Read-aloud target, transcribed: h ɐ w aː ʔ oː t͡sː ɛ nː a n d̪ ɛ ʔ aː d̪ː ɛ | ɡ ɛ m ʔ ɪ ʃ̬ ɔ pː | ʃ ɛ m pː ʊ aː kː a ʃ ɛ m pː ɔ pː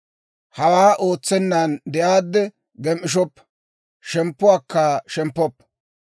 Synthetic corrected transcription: h ɐ w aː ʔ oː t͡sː ɛ nː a n d̪ ɛ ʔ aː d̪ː ɛ | ɡ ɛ m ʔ ɪ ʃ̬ ɔ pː | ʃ ɛ m pː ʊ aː kː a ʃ ɛ m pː ɔ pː